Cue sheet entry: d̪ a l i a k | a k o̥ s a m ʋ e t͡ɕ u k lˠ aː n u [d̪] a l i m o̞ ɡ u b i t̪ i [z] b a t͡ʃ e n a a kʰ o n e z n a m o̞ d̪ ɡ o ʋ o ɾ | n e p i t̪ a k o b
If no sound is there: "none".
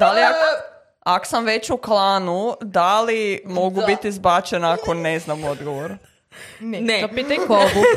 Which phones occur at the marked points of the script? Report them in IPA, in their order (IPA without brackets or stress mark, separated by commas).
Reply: d̪, z